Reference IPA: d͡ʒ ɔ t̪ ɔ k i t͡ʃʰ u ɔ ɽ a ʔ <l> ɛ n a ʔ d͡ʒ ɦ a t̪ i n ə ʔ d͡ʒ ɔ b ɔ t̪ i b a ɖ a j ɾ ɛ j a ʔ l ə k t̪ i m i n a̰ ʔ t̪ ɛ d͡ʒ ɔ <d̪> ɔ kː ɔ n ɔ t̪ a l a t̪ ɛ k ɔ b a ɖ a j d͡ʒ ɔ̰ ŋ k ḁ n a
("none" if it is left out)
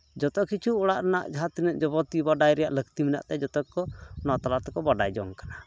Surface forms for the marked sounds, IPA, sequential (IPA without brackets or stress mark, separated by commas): ɾ, t̪